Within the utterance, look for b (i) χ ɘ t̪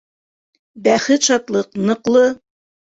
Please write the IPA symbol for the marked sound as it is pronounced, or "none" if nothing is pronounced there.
æ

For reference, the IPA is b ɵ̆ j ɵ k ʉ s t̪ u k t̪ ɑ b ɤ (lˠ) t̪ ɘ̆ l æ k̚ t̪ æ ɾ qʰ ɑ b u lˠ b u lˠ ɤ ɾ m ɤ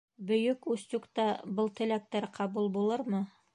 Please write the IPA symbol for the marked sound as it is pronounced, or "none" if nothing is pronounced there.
lˠ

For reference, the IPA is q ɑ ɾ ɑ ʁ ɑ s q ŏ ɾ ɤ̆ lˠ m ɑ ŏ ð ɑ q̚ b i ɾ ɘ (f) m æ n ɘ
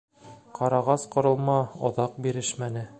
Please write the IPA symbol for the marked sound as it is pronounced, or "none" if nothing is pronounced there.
ʃ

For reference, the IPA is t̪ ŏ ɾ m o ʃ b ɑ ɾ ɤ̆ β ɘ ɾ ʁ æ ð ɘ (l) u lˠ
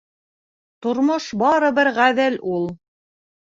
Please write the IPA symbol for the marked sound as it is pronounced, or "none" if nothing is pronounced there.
l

